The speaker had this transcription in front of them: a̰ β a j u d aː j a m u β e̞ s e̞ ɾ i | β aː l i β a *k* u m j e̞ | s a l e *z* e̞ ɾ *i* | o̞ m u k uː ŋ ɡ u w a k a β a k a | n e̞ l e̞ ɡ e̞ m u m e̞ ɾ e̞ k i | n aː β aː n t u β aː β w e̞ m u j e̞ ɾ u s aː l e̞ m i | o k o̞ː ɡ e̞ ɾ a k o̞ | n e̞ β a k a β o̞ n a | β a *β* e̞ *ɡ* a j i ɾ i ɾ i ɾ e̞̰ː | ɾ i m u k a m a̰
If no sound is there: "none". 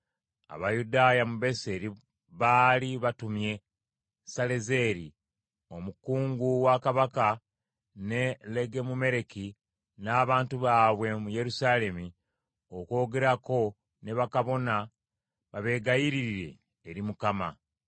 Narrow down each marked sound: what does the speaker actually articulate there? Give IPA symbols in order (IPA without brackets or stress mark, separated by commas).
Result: t, z, i, β, ɡ